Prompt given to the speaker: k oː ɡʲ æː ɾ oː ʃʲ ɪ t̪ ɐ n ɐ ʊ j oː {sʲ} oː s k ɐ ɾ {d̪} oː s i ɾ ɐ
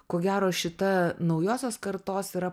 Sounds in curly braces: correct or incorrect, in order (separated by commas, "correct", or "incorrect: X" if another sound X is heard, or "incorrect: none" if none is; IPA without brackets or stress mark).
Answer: correct, incorrect: t̪